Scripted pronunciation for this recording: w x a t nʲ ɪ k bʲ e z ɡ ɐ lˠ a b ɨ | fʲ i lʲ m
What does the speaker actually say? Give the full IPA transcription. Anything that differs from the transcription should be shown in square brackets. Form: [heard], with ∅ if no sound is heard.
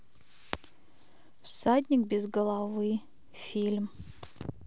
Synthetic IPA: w [s] a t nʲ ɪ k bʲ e z ɡ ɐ lˠ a [v] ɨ | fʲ i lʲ m